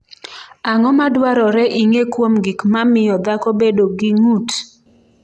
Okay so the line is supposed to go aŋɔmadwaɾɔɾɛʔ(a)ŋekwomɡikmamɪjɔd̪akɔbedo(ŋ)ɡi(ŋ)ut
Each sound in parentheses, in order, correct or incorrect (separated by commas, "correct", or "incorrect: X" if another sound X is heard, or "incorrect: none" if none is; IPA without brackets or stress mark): incorrect: i, incorrect: none, correct